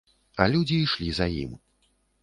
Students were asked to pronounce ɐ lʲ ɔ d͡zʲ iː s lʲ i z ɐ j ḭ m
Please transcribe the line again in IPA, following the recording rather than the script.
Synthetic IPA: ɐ lʲ u d͡zʲ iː ʂ lʲ i z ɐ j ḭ m

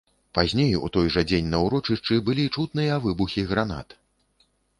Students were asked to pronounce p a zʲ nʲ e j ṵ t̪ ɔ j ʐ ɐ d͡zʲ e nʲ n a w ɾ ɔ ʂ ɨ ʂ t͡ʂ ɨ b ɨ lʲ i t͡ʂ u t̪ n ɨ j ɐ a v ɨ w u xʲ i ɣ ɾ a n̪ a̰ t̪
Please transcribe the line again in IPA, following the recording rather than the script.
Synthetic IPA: p a zʲ nʲ e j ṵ t̪ ɔ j ʐ ɐ d͡zʲ e nʲ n ɐ w ɾ ɔ t͡ʂ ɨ ʂ t͡ʂ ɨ b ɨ lʲ i t͡ʂ u t̪ n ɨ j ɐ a v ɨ b u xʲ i ɣ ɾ a n̪ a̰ t̪

